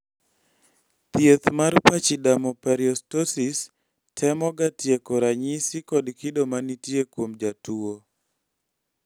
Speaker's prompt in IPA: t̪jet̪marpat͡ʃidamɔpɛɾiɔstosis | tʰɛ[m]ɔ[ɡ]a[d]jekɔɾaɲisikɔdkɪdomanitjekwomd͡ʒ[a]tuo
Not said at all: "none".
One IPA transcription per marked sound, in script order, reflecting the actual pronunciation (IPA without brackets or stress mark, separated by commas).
m, ɡ, t, a